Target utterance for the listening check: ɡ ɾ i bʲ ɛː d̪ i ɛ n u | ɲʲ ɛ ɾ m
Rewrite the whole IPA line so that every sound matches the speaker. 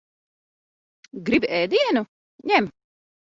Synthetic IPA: ɡ ɾ i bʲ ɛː d̪ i ɛ n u | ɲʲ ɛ m